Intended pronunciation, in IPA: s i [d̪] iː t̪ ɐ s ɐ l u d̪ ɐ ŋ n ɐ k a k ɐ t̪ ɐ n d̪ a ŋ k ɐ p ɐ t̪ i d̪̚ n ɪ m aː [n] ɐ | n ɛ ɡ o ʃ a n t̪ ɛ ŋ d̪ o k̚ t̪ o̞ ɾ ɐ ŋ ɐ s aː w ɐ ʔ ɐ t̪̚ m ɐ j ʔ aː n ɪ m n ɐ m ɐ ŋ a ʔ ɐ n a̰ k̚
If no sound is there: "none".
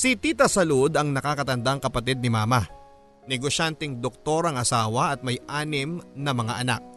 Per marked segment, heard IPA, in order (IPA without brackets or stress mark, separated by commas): t̪, m